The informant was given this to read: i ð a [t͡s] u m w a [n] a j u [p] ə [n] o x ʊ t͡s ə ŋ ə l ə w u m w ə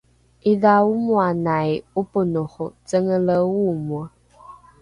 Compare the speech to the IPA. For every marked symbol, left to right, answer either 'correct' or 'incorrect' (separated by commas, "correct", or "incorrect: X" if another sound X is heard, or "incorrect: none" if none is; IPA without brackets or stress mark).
incorrect: none, correct, correct, correct